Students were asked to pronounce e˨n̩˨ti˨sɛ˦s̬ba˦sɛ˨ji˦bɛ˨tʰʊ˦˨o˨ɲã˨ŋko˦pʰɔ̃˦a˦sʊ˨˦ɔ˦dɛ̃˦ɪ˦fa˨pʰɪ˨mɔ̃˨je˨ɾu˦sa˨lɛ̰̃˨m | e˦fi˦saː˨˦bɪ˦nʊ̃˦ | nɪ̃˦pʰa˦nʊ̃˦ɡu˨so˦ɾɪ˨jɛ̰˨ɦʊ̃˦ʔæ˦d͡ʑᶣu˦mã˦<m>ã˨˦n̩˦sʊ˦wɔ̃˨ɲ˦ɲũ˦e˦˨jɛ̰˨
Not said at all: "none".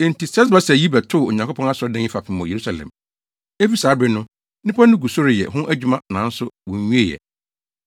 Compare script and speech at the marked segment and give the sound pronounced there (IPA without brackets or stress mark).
n